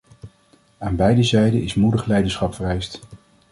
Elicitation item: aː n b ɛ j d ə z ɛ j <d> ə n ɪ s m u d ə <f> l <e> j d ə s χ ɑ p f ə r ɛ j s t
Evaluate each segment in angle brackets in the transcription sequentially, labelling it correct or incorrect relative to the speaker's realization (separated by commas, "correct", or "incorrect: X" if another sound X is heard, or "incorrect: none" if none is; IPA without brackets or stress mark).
correct, incorrect: χ, incorrect: ɛ